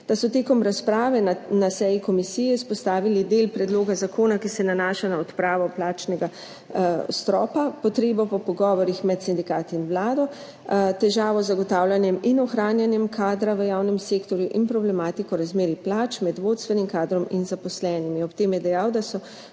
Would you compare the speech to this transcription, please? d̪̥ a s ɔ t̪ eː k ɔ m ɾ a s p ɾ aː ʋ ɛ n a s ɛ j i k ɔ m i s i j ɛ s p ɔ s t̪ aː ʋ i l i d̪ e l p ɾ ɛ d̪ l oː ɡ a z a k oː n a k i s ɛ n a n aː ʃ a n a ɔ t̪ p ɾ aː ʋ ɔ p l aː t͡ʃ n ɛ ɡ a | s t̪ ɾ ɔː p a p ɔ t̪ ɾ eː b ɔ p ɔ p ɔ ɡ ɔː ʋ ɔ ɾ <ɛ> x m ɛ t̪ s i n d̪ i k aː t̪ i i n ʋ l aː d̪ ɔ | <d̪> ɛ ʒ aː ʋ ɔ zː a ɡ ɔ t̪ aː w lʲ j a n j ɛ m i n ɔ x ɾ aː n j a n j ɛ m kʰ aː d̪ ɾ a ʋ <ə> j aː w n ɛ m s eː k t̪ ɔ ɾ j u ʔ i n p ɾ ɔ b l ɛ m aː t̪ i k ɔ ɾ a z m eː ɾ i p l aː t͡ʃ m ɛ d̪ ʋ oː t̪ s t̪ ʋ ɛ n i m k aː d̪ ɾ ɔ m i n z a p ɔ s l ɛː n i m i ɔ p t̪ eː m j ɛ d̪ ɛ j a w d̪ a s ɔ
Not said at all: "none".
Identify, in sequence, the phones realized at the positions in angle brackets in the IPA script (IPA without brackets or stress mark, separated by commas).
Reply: i, t̪, ə